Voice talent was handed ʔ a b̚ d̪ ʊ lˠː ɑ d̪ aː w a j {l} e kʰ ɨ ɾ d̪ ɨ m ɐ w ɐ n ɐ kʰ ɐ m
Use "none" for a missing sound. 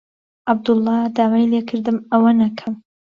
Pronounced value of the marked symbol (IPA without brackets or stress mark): l